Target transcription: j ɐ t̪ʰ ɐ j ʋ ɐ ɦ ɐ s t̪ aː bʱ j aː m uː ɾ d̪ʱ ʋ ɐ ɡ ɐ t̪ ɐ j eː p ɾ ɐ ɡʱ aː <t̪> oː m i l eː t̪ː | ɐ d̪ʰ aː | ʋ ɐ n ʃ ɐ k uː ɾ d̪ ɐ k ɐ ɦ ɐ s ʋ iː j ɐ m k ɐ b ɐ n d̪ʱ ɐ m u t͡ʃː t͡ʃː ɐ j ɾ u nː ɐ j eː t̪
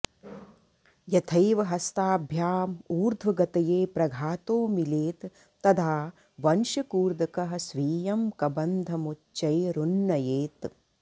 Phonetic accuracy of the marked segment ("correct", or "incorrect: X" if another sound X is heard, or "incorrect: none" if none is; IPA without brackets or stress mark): correct